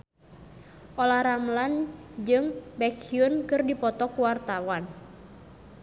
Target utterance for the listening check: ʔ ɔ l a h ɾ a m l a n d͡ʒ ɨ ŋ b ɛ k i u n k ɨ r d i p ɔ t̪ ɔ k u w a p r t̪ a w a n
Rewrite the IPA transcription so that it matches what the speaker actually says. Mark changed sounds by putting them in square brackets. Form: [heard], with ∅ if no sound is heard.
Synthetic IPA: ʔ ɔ l a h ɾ a m l a n d͡ʒ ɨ ŋ b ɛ k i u n k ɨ r d i p ɔ t̪ ɔ k u w a [∅] r t̪ a w a n

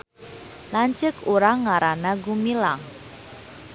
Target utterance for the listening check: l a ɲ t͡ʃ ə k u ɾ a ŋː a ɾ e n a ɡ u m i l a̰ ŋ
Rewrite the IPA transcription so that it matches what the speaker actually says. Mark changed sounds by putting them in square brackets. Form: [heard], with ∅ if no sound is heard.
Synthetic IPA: l a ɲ t͡ʃ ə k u ɾ a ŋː a ɾ [a] n a ɡ u m i l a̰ ŋ

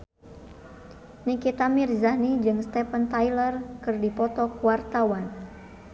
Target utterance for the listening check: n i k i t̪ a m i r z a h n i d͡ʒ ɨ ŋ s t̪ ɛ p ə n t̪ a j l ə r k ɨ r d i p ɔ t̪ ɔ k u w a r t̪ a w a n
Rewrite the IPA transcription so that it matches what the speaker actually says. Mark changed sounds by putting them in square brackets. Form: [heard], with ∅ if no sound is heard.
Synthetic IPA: n i k i t̪ a m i r z a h n i d͡ʒ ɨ ŋ s t̪ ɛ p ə n t̪ a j l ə r k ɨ r d i p ɔ t̪ ɔ k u w a r t̪ a w a n

